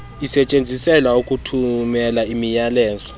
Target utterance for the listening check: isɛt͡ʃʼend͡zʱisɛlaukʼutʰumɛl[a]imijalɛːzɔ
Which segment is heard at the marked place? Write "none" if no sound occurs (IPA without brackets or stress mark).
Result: a